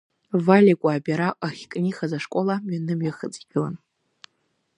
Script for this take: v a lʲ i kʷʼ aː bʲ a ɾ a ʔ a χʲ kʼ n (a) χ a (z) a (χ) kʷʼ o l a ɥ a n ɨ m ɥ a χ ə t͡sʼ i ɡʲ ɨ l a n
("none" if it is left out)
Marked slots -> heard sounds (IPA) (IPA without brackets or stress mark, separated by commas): i, z, ʂ